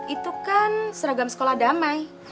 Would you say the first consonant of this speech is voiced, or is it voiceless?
voiceless